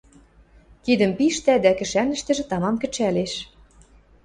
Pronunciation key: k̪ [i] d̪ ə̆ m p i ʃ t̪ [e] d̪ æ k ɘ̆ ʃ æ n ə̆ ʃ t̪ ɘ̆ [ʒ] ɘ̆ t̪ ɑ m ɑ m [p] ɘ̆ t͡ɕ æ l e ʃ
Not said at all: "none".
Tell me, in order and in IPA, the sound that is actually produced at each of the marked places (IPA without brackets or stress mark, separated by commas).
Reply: i, æ, ʒ, k